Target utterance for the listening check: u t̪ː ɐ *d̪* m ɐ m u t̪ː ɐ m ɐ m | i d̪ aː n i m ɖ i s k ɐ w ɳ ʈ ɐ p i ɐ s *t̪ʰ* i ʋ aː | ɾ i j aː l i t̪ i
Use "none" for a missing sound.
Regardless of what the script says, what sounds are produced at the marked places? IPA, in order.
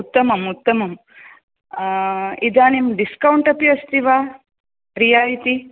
none, t̪

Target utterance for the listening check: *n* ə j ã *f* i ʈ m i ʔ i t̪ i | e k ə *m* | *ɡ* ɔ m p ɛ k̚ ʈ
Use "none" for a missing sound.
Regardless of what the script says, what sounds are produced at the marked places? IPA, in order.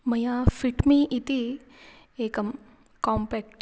m, f, m, k

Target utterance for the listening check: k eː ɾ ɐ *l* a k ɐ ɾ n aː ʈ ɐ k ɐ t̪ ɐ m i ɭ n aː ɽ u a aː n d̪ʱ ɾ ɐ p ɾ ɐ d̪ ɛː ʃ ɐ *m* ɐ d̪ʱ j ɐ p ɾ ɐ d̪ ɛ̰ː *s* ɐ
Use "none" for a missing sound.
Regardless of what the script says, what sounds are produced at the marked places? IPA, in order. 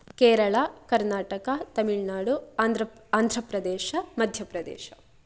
ɭ, m, ʃ

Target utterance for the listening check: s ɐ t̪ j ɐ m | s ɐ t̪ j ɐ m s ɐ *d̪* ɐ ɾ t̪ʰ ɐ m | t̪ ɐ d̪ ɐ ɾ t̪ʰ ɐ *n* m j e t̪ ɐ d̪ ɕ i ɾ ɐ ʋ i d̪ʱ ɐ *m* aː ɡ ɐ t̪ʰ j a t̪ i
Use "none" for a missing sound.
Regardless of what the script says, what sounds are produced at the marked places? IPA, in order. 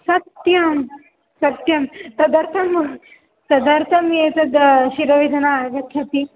d̪, none, n

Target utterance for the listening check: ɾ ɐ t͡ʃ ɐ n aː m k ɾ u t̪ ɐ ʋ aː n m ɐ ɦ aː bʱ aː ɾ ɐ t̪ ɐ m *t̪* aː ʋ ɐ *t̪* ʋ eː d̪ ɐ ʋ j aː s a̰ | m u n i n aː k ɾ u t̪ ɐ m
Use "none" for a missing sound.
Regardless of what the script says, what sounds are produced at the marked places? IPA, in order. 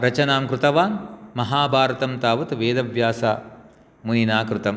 t̪, t̪

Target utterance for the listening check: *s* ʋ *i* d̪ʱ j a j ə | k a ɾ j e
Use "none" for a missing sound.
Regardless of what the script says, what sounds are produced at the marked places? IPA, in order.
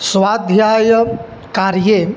s, a

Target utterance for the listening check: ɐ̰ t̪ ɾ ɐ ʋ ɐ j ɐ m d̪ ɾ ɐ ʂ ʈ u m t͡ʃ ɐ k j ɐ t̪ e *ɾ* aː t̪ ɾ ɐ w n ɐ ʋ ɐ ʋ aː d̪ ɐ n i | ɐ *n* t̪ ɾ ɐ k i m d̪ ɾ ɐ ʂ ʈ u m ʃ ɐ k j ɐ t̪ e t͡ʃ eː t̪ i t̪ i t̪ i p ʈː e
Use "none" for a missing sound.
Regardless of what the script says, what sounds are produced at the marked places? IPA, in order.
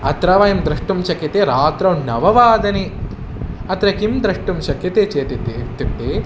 ɾ, none

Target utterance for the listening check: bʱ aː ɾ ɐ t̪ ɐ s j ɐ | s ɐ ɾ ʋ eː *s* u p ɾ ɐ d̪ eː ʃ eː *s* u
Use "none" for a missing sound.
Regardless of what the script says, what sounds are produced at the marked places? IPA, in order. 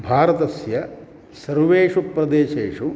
ʂ, ʂ

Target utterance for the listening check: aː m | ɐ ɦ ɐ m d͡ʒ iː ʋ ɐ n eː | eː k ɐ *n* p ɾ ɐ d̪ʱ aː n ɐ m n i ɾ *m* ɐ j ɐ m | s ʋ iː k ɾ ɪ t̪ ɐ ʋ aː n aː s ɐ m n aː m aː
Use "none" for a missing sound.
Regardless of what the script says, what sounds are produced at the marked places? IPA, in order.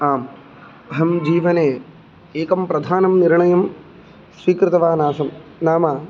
m, ɳ

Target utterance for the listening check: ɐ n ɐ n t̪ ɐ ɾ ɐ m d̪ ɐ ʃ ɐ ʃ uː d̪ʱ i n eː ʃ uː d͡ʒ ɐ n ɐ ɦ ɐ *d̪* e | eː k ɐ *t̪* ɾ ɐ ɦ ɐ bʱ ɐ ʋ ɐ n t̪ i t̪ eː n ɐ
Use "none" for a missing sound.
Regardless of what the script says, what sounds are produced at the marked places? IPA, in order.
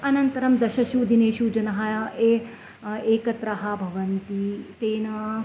none, t̪

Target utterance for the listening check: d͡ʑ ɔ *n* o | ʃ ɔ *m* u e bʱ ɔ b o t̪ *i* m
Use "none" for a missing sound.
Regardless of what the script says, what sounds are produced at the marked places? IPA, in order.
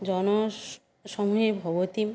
n, m, i

